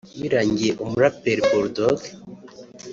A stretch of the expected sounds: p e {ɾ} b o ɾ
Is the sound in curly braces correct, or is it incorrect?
correct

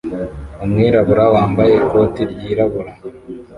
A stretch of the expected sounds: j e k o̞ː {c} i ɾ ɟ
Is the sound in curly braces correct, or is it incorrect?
incorrect: t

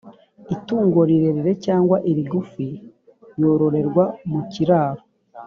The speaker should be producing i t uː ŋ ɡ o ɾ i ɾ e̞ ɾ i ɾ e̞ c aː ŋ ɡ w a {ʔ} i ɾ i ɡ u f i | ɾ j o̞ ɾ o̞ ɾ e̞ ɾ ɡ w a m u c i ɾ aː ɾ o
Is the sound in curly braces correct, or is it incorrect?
correct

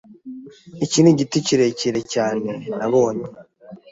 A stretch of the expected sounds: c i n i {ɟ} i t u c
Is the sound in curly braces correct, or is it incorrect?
correct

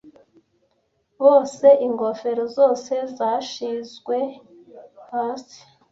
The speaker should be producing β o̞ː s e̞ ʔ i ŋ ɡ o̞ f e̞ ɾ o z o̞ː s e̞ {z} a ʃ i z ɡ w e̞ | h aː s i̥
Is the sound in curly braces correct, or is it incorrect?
correct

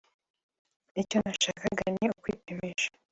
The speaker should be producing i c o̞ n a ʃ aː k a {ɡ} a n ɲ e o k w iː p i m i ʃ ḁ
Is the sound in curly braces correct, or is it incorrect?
correct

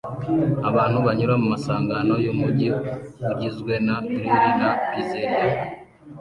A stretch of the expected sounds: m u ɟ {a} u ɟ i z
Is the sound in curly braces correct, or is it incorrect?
incorrect: i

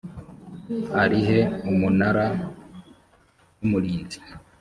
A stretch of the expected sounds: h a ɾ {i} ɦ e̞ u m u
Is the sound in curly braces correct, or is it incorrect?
correct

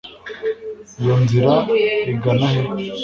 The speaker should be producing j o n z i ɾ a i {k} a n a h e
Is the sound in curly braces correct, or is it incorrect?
incorrect: ɡ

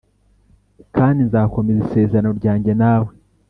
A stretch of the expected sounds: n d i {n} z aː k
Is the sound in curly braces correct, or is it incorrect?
correct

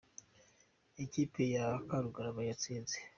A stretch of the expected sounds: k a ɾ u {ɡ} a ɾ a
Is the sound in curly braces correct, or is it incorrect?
correct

